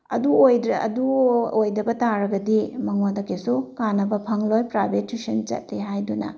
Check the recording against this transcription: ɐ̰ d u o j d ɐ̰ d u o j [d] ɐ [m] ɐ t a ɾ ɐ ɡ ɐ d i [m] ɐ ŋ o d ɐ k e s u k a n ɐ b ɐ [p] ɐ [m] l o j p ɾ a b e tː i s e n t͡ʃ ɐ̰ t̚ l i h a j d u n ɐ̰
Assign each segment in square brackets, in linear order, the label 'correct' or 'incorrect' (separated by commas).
correct, incorrect, correct, incorrect, incorrect